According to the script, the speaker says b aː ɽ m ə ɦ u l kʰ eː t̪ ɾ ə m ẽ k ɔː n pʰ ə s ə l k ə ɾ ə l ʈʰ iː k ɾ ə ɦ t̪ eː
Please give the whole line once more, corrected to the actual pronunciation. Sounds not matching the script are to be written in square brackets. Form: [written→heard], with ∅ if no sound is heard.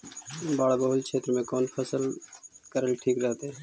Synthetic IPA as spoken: b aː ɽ [m→b] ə ɦ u l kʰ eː t̪ ɾ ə m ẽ k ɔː n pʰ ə s ə l k ə ɾ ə l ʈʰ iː k ɾ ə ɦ t̪ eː